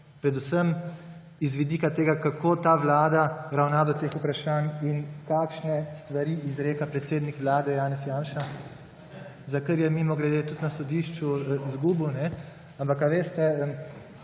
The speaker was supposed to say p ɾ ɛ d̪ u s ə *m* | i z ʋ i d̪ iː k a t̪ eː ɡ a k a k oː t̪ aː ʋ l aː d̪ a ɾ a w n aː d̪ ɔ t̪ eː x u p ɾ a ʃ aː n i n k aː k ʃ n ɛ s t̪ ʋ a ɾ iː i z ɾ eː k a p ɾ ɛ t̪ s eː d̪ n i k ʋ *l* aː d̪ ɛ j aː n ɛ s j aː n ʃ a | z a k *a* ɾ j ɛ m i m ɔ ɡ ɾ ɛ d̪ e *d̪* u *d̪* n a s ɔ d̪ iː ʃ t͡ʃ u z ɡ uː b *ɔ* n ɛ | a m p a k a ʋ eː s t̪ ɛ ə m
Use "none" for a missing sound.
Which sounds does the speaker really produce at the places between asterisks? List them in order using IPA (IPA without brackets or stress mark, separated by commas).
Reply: m, l, ə, t̪, t̪, u